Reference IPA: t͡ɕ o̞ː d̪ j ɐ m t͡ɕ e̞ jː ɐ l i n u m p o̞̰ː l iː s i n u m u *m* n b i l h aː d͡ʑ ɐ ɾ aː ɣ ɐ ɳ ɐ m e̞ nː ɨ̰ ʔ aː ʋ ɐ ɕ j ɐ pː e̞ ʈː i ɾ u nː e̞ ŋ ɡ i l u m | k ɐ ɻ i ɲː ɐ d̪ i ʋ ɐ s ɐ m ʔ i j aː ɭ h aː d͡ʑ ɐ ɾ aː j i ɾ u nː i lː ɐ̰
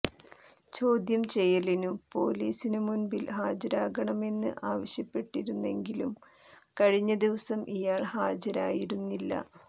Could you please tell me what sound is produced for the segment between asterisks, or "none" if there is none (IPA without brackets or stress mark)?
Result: none